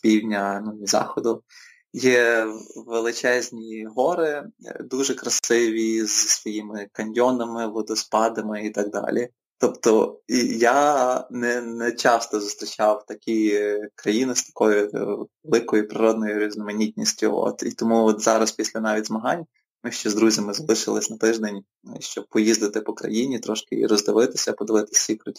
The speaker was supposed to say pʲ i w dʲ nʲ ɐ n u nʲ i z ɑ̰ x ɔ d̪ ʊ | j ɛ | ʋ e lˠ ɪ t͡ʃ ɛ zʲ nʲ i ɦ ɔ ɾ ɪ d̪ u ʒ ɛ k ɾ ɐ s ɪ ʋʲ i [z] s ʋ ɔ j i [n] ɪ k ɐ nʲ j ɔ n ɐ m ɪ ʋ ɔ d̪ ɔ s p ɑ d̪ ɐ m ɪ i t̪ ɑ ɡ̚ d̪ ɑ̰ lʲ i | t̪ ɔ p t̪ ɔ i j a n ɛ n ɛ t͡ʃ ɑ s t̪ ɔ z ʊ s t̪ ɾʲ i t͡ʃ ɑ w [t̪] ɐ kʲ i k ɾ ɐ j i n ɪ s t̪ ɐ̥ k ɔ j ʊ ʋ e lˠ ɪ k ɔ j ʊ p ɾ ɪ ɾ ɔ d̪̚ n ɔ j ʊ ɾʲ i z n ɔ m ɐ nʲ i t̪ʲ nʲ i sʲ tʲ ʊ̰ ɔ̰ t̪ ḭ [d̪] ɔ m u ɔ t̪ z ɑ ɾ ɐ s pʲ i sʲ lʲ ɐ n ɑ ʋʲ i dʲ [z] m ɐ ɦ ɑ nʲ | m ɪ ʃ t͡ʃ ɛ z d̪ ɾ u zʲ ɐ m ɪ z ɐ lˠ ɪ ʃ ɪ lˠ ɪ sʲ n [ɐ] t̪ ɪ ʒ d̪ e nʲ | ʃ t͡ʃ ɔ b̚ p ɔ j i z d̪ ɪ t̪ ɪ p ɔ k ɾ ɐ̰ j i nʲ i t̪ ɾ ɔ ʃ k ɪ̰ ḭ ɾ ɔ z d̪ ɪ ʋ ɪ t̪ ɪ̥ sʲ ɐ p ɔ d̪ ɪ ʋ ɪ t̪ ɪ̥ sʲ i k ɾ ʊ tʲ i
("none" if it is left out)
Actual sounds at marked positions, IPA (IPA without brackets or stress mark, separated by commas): z, m, t̪, t̪, z, ɐ